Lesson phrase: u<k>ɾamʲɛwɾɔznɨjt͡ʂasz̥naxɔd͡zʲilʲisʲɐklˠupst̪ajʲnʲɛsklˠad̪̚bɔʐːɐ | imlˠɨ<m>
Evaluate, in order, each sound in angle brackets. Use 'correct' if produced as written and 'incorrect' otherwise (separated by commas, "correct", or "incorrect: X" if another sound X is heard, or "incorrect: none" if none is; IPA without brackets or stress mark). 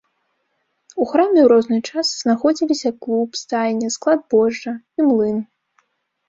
incorrect: x, incorrect: n